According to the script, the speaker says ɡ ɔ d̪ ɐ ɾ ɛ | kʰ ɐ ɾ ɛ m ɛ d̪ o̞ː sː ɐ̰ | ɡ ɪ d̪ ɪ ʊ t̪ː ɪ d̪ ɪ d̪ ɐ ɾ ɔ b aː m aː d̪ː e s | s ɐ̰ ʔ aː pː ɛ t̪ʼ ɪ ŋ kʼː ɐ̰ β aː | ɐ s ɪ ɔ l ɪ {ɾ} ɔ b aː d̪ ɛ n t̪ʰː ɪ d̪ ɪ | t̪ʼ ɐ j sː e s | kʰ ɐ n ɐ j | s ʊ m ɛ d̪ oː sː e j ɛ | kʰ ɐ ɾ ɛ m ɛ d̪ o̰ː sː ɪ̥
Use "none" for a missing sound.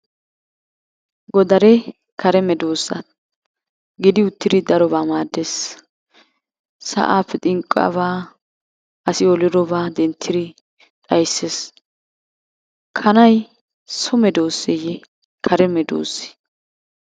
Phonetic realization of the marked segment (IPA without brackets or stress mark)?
ɾ